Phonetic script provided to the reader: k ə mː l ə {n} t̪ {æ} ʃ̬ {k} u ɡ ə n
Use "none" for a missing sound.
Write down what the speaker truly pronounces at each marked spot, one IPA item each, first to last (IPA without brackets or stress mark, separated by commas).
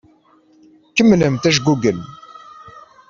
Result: m, æ, ɡ